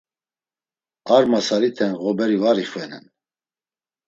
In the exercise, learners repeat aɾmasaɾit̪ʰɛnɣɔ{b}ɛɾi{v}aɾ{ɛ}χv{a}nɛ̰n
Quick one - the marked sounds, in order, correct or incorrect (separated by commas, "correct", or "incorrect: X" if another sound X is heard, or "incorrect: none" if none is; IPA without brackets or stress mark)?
correct, correct, incorrect: i, incorrect: ɛ